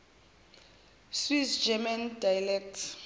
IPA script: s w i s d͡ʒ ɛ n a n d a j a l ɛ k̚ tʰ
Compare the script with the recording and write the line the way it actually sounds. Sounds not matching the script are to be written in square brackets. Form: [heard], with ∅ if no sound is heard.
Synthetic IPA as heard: s w i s d͡ʒ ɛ [m] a n d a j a l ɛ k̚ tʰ